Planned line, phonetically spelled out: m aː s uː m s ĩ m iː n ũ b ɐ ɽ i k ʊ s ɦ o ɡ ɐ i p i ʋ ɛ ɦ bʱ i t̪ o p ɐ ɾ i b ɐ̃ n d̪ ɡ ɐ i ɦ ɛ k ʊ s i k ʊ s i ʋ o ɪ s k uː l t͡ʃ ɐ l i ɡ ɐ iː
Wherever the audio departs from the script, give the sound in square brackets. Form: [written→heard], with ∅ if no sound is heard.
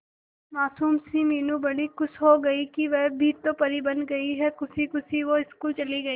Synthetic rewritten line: m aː s uː m s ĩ m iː n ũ b ɐ ɽ i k ʊ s ɦ o ɡ ɐ i [p→k] i ʋ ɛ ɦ bʱ i t̪ o p ɐ ɾ i b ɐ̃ n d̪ ɡ ɐ i ɦ ɛ k ʊ s i k ʊ s i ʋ o ɪ s k uː l t͡ʃ ɐ l i ɡ ɐ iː

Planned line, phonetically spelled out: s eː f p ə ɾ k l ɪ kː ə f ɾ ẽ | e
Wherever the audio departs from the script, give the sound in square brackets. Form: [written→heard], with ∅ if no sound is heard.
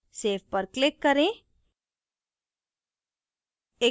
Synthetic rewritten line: s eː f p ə ɾ k l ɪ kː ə [f→∅] ɾ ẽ | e

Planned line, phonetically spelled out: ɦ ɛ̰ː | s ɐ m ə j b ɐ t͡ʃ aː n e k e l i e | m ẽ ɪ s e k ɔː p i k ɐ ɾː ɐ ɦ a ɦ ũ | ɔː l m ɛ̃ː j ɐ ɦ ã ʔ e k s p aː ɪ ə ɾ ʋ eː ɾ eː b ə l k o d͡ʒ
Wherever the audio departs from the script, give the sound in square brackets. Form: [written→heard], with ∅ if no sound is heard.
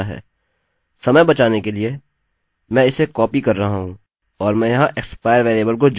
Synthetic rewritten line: ɦ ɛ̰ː | s ɐ m ə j b ɐ t͡ʃ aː n e k e l i e | m [ẽ→ɛ̃] ɪ s e k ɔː p i k ɐ ɾː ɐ ɦ a ɦ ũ | ɔː [l→ɾ] m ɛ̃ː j ɐ ɦ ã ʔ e k s p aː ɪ ə ɾ ʋ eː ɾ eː b ə l k o d͡ʒ

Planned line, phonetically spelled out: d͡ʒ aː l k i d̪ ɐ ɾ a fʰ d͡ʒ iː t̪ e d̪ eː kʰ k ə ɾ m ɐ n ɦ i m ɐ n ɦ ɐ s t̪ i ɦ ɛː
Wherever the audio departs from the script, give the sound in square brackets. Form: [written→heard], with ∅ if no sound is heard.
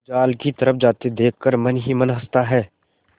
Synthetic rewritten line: d͡ʒ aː l k i [d̪→t̪] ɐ ɾ [a→ə] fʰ d͡ʒ [iː→aː] t̪ e d̪ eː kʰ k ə ɾ m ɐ n ɦ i m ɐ n ɦ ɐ s t̪ [i→a] ɦ ɛː

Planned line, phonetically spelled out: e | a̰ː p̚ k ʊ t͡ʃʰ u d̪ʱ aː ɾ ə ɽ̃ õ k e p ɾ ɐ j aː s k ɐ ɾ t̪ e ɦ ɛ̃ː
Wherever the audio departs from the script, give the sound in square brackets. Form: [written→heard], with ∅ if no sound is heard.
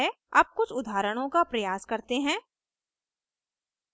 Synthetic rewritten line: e | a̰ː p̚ k ʊ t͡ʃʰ [u→ʊ] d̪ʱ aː ɾ ə ɽ̃ õ k [e→a] p ɾ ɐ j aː s k ɐ ɾ t̪ e ɦ ɛ̃ː

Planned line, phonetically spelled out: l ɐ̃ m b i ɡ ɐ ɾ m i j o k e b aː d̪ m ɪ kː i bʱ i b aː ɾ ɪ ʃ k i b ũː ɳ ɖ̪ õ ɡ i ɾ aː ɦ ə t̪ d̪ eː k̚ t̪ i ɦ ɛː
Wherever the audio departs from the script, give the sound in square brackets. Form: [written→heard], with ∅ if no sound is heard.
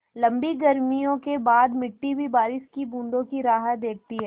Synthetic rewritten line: l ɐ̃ m b i ɡ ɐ ɾ m i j [o→õ] k e b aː d̪ m ɪ [kː→ʈː] i bʱ i b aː ɾ ɪ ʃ k i b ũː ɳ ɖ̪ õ [ɡ→k] i ɾ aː ɦ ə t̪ d̪ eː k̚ t̪ i ɦ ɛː

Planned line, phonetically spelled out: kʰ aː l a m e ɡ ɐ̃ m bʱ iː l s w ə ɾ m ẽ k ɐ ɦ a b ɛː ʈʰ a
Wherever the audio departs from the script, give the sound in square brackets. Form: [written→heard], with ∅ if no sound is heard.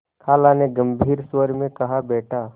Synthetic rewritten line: kʰ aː l a [m→n] e ɡ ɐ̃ m bʱ iː [l→ɾ] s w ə ɾ m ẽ k ɐ ɦ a b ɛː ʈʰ a

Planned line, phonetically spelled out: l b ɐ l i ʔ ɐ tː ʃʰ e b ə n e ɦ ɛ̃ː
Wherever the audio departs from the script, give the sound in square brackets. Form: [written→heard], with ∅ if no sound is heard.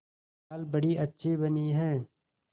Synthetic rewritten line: l b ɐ [l→ɽ] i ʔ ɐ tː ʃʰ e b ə n [e→i] ɦ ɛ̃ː

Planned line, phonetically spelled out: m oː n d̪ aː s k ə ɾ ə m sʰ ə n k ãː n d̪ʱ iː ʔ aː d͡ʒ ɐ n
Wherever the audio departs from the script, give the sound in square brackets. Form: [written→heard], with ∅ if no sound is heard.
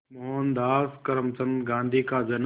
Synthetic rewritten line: m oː n d̪ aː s k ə ɾ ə m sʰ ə n [k→ɡ] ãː n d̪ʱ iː [ʔ→k] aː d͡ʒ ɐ n

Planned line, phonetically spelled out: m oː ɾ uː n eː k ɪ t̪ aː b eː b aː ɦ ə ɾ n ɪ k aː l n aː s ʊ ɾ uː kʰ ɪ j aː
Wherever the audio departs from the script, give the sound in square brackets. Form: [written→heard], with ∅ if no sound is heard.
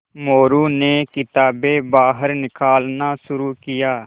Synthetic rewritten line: m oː ɾ uː n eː k ɪ t̪ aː b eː b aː ɦ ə ɾ n ɪ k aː l n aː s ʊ ɾ uː [kʰ→k] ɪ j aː

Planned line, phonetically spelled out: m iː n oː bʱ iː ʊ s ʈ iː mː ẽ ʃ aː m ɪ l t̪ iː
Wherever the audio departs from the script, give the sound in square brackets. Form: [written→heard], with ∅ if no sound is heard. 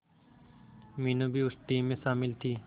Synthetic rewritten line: m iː n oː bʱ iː ʊ s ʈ iː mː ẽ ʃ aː m ɪ l [t̪→t̪ʰ] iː

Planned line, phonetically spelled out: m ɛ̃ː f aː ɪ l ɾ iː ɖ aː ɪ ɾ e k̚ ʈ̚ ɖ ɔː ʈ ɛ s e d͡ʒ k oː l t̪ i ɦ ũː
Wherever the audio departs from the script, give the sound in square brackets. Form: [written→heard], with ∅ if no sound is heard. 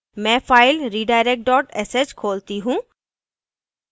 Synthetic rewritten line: m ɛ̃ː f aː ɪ l ɾ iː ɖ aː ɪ ɾ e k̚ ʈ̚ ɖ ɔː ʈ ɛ s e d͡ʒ [k→kʰ] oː l t̪ i ɦ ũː

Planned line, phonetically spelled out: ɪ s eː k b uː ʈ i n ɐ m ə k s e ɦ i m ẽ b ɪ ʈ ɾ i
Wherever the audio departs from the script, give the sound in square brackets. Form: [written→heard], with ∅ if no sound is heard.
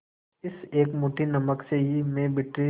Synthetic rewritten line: ɪ s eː k [b→m] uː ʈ i n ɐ m ə k s e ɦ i m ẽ b ɪ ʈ ɾ i

